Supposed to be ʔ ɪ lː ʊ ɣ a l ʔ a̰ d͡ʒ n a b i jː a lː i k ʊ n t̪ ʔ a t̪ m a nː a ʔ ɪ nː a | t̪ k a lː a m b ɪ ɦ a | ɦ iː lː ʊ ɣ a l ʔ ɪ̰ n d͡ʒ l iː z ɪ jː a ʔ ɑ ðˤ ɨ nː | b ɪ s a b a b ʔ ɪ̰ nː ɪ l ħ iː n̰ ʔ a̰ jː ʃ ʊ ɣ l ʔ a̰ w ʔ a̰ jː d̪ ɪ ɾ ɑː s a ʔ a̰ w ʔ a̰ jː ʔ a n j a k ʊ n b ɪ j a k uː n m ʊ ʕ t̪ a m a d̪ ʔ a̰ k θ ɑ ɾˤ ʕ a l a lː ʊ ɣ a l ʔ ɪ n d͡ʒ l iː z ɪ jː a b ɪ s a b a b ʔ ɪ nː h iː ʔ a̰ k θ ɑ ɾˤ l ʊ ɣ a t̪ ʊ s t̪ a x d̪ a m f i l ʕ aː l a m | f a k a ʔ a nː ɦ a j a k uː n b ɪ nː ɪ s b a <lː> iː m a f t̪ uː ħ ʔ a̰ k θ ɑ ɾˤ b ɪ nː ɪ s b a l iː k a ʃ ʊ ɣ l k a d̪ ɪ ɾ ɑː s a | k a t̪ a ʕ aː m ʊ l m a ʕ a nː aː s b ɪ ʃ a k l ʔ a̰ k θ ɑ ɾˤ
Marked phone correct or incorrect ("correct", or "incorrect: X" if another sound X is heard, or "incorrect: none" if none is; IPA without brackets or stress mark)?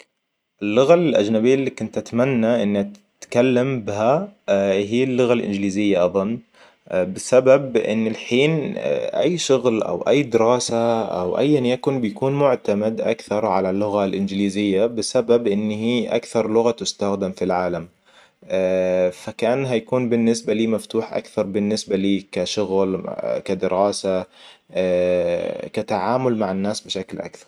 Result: incorrect: l